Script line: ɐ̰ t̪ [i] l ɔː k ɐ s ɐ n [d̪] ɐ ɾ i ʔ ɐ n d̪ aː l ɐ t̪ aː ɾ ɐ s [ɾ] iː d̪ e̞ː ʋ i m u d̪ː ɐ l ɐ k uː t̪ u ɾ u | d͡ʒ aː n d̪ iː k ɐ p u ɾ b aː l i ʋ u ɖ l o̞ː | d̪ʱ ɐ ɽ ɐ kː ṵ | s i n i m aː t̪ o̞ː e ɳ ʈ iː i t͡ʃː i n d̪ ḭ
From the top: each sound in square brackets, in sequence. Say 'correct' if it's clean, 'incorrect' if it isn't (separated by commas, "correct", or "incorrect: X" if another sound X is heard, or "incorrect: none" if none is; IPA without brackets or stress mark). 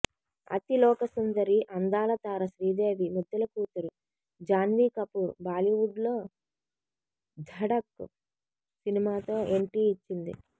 correct, correct, correct